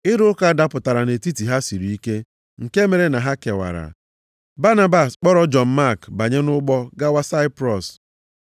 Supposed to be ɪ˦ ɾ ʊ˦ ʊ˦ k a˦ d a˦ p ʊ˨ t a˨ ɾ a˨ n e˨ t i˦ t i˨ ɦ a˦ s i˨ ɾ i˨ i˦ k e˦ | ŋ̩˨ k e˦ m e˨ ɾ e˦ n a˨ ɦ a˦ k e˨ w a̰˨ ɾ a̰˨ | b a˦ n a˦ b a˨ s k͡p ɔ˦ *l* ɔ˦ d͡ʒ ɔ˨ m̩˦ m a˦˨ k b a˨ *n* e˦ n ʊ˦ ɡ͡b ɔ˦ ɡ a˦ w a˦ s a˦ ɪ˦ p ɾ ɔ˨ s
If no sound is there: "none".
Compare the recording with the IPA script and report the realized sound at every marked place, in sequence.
ɾ, ɲ

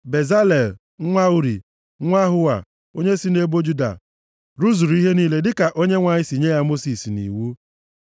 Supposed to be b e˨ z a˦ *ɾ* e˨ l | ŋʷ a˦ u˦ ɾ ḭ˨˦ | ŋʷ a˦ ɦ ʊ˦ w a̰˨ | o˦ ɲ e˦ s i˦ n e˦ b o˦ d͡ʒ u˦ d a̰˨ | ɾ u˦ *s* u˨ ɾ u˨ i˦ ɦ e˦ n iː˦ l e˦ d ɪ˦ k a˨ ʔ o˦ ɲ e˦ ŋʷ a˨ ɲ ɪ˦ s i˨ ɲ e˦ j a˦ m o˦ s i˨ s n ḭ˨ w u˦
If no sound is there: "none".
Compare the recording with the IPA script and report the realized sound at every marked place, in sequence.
l, z

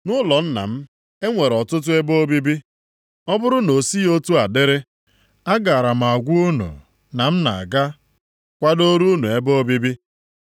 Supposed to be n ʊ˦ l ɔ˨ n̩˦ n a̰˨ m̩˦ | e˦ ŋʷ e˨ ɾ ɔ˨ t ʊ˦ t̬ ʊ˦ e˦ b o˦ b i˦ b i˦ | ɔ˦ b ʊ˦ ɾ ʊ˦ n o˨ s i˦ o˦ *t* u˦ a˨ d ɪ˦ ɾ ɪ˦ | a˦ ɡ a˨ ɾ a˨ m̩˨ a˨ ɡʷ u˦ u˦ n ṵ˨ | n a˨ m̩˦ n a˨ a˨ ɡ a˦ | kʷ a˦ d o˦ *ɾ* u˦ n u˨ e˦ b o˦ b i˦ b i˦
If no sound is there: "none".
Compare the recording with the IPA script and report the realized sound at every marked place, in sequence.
t, ɾ

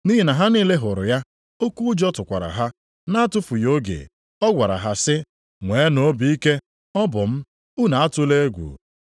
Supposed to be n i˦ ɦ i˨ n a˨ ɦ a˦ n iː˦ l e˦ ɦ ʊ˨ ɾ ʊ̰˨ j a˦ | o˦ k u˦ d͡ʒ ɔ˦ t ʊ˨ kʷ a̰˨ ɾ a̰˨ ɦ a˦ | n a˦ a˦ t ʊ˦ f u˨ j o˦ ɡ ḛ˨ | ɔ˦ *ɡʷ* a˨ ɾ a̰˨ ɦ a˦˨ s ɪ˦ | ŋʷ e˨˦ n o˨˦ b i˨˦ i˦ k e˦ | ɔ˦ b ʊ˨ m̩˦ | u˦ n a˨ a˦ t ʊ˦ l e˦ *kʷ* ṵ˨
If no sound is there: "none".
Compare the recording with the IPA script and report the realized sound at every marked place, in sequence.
ɡʷ, ɡʷ

